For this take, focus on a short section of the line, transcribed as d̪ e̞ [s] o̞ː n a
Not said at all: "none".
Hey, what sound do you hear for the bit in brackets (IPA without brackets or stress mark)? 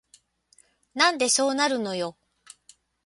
s